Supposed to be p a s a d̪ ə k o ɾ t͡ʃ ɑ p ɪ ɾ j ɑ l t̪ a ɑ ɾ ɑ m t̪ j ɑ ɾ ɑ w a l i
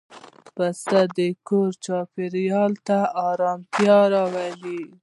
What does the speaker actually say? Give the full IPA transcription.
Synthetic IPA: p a s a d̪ ə k o ɾ t͡ʃ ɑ p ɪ ɾ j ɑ l t̪ a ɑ ɾ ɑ m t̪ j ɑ ɾ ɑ w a l i